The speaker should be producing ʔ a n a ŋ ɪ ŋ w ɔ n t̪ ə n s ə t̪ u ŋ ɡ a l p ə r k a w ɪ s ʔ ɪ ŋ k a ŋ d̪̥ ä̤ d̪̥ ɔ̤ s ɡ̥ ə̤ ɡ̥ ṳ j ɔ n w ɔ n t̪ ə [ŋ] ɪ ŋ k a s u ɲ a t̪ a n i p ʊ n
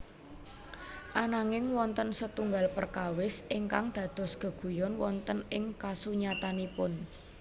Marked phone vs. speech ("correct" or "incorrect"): incorrect